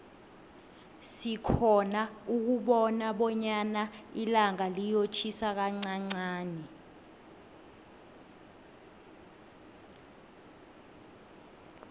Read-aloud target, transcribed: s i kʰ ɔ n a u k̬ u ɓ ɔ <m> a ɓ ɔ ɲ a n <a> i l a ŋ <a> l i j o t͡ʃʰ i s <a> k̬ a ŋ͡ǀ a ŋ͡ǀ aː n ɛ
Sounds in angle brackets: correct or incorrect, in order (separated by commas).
incorrect, correct, correct, correct